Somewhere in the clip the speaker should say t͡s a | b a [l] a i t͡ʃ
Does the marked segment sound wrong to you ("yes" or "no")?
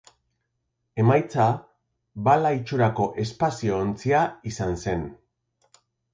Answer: no